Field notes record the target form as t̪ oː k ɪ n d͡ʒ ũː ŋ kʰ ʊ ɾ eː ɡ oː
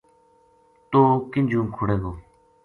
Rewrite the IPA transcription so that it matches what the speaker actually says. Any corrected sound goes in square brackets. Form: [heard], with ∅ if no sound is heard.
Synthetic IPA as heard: t̪ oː k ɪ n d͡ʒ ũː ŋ kʰ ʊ [ɽ] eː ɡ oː